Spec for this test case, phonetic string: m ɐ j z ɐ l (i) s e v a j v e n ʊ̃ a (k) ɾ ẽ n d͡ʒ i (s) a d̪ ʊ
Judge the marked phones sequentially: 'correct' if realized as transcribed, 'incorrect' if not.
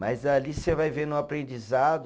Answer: correct, incorrect, incorrect

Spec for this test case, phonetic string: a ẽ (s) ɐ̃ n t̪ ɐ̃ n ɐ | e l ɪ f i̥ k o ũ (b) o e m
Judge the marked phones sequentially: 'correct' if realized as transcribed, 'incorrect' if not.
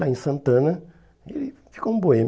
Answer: correct, correct

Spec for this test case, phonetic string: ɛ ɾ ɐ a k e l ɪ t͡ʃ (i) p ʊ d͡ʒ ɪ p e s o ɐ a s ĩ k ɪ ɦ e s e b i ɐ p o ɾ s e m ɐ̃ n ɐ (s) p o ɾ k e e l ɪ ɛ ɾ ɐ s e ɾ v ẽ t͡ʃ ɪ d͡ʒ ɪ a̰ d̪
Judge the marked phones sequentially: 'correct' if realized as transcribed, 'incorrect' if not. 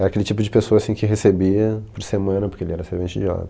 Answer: correct, incorrect

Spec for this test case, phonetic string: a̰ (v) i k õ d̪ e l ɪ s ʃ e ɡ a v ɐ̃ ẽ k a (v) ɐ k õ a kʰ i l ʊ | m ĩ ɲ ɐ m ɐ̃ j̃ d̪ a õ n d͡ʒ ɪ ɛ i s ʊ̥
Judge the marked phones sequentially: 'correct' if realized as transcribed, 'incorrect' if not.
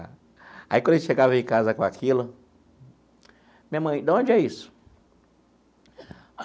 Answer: incorrect, incorrect

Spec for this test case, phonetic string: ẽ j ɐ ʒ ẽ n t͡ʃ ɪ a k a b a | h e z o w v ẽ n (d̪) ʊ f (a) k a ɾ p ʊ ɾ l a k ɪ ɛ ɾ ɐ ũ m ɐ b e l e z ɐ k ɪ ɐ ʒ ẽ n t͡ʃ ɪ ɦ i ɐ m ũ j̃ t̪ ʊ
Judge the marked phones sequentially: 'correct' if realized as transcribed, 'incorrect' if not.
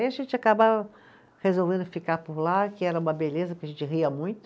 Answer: correct, incorrect

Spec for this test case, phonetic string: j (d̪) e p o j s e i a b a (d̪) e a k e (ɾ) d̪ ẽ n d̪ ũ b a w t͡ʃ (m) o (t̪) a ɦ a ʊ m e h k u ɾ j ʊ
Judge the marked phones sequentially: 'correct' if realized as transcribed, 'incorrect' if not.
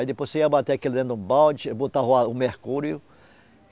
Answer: correct, incorrect, incorrect, incorrect, correct

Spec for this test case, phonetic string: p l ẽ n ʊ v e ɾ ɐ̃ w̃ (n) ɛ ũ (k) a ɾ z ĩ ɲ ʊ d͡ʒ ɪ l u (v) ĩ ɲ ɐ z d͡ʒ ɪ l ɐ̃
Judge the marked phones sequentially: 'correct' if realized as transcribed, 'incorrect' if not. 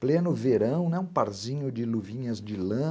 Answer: correct, incorrect, correct

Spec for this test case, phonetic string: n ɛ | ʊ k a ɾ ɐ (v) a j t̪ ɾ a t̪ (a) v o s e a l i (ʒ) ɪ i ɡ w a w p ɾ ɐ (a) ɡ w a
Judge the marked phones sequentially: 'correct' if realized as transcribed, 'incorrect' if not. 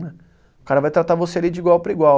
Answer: correct, correct, incorrect, incorrect

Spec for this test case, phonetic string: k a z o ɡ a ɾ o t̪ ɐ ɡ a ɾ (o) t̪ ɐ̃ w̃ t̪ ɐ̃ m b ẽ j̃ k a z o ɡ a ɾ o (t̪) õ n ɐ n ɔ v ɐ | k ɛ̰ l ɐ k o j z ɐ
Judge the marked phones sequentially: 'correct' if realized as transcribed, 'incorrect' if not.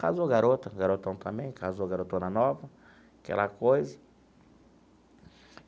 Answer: correct, correct

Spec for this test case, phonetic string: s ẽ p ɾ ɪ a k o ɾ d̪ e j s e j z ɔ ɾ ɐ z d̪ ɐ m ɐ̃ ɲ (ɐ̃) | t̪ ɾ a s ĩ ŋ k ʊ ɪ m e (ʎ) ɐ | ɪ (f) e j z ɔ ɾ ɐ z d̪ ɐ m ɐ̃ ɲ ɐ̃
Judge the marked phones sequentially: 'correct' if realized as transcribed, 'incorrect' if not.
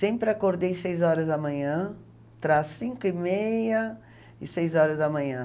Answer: correct, incorrect, incorrect

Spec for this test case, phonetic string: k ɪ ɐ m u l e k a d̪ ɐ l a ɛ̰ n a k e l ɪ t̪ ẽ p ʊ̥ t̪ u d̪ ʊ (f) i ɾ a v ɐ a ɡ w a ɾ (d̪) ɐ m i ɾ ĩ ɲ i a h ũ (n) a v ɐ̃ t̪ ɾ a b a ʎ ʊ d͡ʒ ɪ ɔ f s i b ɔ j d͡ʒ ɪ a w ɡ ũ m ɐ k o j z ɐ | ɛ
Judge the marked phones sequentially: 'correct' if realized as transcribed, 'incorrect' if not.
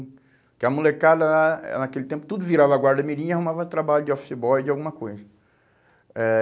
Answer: incorrect, correct, incorrect

